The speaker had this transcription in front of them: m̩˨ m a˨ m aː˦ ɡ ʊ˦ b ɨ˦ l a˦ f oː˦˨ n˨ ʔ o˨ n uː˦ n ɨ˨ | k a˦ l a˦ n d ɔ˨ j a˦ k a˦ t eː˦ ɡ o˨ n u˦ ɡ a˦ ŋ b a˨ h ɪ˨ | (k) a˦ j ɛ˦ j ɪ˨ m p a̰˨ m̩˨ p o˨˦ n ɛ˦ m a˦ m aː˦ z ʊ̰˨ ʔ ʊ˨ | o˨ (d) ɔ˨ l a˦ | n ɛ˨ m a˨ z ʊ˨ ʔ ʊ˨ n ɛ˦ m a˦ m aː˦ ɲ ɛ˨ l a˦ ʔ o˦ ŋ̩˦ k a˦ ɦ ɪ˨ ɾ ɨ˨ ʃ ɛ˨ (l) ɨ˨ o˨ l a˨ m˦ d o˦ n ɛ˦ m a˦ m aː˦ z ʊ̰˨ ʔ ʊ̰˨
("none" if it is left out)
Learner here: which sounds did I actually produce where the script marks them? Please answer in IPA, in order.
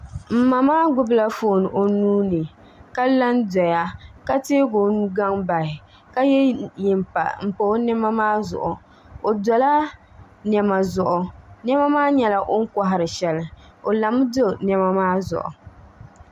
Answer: k, d, l

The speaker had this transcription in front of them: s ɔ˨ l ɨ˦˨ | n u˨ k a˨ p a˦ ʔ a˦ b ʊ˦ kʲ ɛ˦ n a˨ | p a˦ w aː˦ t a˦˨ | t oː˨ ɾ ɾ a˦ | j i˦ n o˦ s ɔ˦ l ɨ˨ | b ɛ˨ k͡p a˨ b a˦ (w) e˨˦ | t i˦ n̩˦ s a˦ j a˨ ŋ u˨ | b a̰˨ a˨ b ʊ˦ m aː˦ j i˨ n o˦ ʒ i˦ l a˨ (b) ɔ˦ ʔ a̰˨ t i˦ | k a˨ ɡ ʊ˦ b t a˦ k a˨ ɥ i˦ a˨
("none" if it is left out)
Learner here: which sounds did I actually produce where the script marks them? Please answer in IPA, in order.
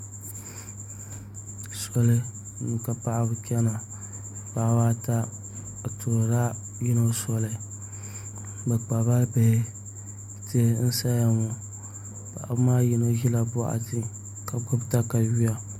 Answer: b, b

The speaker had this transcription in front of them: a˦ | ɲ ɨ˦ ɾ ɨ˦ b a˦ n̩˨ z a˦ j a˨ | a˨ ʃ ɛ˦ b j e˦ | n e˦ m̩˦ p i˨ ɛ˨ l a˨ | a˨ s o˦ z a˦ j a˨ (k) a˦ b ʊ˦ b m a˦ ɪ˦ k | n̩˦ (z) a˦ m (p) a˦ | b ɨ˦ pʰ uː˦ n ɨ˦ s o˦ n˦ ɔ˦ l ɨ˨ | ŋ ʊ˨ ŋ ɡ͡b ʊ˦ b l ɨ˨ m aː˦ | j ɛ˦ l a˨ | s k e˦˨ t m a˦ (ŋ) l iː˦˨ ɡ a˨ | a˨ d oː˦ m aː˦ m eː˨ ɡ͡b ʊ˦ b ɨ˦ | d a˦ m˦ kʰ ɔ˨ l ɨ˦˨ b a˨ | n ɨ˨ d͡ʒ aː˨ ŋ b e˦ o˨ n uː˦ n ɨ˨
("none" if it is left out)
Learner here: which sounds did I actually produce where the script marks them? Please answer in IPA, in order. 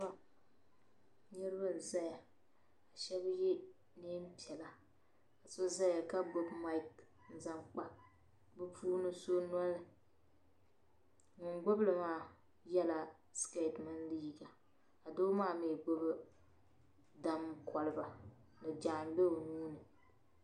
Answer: k, z, k͡p, n

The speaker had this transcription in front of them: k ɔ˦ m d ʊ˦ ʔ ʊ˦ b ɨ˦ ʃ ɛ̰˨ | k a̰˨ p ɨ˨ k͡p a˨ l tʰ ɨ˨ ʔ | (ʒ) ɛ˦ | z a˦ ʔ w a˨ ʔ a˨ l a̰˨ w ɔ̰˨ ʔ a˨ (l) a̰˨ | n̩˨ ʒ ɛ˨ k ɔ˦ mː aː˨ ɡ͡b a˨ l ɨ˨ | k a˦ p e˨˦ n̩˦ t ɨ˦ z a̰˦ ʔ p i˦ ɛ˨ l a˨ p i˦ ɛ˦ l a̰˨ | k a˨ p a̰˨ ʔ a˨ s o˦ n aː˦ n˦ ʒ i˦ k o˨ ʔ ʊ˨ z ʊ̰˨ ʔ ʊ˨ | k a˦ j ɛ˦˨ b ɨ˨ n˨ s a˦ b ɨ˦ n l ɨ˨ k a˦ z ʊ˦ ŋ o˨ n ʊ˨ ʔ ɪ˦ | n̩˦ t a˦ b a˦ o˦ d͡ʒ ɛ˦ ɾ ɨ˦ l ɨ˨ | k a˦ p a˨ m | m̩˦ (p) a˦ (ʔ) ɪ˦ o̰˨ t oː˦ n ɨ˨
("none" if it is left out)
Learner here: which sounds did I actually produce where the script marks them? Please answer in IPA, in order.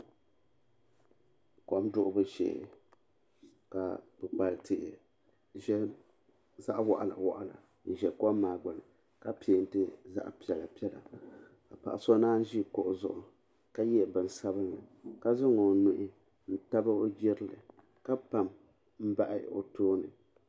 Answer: ʒ, l, b, ʔ

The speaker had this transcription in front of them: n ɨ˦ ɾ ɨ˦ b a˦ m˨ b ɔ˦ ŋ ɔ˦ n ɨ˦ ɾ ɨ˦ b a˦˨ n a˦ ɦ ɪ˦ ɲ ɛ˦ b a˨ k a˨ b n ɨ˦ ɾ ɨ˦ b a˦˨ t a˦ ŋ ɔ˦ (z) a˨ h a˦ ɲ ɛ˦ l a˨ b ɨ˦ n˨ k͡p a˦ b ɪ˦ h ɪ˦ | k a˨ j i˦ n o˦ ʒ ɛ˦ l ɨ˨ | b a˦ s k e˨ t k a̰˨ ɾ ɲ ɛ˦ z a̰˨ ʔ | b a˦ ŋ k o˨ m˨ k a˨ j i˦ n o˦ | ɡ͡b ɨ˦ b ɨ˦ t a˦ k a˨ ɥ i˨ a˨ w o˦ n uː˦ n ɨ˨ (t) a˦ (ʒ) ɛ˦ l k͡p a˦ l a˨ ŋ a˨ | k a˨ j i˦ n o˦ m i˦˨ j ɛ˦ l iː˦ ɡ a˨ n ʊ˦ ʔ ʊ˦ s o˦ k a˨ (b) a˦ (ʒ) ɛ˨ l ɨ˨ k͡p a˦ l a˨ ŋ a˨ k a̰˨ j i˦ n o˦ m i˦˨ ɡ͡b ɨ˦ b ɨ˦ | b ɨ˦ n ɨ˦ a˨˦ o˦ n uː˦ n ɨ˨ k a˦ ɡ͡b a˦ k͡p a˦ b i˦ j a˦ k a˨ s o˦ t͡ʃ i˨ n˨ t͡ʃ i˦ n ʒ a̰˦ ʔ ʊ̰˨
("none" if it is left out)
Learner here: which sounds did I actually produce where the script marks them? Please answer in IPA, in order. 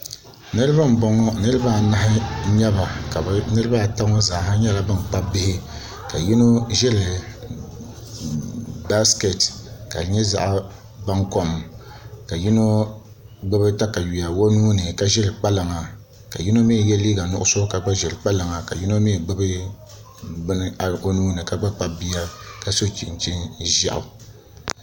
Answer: z, k, ʒ, ɡ͡b, ʒ

